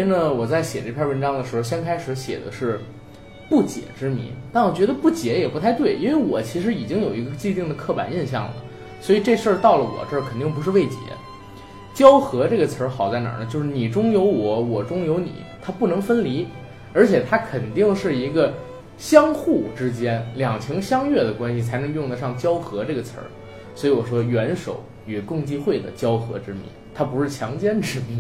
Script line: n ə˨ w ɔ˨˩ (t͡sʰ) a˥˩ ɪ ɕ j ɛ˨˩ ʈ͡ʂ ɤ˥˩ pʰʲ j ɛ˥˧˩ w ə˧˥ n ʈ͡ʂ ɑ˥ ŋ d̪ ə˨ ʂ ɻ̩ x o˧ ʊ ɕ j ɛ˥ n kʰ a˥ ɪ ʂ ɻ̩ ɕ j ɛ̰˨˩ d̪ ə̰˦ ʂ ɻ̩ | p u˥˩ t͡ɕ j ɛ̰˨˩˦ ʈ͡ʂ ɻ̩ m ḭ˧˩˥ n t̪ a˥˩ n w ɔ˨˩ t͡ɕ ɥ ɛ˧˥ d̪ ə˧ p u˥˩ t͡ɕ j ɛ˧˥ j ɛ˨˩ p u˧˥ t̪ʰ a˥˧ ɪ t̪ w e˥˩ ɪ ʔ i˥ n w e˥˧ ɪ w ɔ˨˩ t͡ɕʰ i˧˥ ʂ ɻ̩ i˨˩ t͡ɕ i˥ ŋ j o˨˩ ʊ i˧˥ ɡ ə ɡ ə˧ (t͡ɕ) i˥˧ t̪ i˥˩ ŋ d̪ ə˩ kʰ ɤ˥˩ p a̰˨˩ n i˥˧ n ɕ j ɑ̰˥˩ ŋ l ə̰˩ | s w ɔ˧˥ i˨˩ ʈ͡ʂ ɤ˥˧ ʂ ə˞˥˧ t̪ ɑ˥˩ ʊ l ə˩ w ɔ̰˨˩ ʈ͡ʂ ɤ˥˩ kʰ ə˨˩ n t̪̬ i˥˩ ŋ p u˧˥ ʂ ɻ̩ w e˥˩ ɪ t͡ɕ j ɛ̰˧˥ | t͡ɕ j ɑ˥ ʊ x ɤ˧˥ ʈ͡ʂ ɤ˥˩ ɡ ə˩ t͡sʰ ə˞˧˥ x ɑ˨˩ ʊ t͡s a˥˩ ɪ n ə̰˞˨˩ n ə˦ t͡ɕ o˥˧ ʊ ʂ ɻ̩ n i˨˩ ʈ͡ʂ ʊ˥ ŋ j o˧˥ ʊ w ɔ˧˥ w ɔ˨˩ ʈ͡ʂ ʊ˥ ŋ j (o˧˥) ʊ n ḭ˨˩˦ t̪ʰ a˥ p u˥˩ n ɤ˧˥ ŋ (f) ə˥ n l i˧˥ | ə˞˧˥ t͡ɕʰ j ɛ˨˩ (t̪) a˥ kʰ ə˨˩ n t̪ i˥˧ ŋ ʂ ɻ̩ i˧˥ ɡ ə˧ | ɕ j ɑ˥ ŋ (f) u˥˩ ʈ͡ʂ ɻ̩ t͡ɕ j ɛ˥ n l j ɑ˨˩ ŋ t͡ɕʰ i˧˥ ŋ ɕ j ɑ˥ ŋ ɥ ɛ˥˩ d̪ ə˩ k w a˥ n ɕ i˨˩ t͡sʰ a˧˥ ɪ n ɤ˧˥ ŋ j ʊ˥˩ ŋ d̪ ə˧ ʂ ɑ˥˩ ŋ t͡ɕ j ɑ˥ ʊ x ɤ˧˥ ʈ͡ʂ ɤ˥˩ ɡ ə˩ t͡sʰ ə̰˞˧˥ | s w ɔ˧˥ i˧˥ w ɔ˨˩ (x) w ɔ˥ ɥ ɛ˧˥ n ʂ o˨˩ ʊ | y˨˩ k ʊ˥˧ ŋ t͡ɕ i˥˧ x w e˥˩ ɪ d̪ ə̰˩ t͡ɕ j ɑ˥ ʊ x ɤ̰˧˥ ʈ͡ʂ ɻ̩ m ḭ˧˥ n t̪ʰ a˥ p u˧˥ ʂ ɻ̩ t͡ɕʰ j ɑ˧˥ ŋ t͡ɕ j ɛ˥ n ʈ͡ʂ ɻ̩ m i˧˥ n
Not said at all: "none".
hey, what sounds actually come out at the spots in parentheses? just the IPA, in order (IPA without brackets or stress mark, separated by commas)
t͡s, t͡ɕ, o˧˥, f, t̪ʰ, x, ʂ